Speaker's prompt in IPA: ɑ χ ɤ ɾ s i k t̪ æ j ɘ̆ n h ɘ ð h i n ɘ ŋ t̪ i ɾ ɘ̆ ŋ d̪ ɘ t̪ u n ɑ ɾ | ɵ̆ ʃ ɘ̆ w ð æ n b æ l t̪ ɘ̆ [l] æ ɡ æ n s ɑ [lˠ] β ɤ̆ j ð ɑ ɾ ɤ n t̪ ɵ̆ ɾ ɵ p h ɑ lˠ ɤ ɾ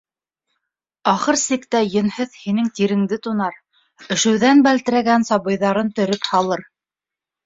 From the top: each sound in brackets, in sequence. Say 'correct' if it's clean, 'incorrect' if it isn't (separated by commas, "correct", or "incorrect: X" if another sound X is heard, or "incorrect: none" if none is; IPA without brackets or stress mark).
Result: incorrect: ɾ, incorrect: none